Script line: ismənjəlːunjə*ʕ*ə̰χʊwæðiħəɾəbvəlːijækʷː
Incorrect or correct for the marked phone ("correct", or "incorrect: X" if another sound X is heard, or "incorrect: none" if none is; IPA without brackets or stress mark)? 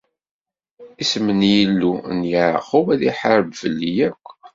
correct